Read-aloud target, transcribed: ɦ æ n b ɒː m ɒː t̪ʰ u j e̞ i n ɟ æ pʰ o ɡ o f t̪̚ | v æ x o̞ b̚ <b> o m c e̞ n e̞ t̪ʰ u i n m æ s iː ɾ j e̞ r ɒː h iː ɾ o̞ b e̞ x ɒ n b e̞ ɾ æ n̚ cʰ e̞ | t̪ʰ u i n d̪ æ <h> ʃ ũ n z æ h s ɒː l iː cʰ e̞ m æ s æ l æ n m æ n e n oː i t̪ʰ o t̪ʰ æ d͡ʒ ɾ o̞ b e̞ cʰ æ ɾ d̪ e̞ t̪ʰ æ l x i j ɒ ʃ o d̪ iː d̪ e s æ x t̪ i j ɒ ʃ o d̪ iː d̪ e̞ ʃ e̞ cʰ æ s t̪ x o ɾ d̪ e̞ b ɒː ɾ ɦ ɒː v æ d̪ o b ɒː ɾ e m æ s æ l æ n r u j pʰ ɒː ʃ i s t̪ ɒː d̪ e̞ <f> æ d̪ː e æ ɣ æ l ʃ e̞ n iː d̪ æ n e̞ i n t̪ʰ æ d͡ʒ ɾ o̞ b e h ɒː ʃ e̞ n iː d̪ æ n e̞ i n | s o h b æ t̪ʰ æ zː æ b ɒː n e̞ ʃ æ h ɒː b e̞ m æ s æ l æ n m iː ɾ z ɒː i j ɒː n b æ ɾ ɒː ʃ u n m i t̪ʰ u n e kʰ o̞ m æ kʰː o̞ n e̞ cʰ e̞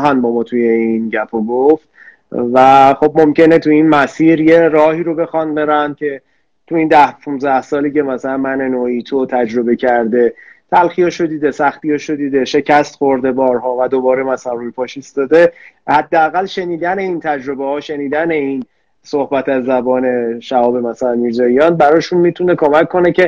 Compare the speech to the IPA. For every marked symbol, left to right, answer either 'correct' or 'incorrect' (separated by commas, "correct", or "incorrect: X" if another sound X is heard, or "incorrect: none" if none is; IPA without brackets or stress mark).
incorrect: m, correct, incorrect: h